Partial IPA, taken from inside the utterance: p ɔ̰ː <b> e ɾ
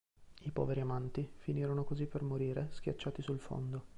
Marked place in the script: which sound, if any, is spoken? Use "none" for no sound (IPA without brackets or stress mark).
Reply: v